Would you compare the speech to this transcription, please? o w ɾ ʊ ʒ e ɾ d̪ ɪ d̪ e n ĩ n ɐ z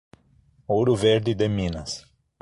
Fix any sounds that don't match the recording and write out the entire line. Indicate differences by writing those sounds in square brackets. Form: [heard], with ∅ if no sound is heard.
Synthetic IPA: o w ɾ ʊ [v] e ɾ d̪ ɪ d̪ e [m] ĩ n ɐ [s]

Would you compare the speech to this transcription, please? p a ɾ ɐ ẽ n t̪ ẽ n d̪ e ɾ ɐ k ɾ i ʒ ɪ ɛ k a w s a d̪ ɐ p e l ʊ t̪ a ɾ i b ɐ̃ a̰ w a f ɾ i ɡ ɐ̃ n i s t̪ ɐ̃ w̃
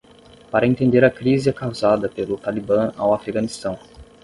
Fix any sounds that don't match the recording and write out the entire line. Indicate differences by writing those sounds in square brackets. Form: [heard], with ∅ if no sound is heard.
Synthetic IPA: p a ɾ ɐ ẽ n t̪ ẽ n d̪ e ɾ ɐ k ɾ i [z] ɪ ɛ k a w [z] a d̪ ɐ p e l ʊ t̪ a [l] i b ɐ̃ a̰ w a f ɾ i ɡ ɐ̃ n i s t̪ ɐ̃ w̃

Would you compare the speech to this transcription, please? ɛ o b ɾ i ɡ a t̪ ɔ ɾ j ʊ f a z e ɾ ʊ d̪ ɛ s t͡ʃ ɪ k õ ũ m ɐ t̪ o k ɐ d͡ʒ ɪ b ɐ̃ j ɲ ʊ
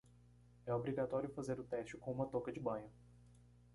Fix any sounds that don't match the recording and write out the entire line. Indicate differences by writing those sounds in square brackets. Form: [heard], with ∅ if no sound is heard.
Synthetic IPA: ɛ o b ɾ i ɡ a t̪ ɔ ɾ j ʊ f a z e ɾ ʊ [t̪] ɛ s t͡ʃ ɪ k õ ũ m ɐ t̪ o k ɐ d͡ʒ ɪ b ɐ̃ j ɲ ʊ

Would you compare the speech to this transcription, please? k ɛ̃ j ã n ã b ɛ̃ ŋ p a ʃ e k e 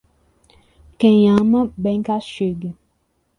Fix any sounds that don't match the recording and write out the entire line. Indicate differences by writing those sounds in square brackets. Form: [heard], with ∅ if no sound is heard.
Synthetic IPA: k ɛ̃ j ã [m] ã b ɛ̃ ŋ [k] a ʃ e [ɡ] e

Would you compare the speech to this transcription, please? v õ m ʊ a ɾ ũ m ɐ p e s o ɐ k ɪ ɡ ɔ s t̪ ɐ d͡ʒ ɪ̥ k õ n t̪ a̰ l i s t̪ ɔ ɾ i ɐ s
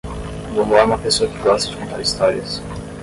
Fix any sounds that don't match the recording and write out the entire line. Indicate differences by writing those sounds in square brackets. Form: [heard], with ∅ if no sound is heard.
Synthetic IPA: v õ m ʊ a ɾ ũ m ɐ p e s o ɐ k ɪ ɡ ɔ s t̪ ɐ d͡ʒ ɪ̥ k õ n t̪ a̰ [ɾ] i s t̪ ɔ ɾ i ɐ s

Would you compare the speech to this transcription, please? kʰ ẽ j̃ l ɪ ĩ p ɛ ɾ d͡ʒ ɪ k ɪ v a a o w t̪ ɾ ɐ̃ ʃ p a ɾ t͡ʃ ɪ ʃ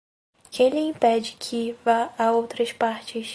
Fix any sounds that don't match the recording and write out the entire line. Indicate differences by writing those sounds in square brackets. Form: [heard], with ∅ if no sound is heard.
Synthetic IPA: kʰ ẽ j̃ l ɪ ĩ p ɛ [∅] d͡ʒ ɪ [kʰ] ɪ v a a o w t̪ ɾ [ɐ] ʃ p a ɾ t͡ʃ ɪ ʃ

